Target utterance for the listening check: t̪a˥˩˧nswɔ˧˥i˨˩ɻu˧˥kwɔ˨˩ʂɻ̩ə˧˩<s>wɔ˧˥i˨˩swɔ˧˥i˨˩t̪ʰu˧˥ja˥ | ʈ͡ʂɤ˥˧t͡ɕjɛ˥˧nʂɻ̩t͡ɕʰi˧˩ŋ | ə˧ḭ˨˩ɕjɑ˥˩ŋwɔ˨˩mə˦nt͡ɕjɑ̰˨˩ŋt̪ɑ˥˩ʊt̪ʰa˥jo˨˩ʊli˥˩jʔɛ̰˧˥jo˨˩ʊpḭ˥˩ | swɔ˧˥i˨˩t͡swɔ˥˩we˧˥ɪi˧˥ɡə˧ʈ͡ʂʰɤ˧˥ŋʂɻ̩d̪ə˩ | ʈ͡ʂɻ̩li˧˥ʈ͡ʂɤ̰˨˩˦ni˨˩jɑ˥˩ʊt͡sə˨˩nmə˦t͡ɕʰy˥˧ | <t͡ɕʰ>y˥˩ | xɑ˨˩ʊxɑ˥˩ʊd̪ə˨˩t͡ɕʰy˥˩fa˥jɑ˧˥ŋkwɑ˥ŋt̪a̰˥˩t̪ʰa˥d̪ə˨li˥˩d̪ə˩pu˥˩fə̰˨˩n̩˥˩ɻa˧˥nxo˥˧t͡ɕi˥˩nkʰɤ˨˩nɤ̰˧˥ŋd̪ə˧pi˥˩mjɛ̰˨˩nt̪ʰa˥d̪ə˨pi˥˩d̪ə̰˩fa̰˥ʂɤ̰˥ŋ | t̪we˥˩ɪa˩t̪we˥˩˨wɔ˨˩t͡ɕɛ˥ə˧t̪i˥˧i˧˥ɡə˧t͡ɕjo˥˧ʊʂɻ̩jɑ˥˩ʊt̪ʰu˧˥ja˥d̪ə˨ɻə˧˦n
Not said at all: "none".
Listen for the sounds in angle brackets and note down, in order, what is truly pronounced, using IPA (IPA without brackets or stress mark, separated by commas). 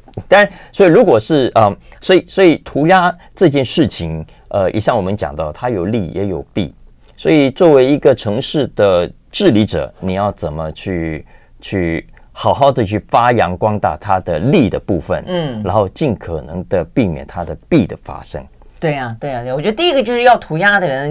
s, t͡ɕʰ